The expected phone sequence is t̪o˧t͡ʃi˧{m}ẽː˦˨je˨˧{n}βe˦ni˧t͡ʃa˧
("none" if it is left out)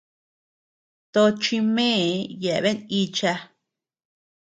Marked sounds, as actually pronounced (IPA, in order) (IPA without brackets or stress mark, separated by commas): m, none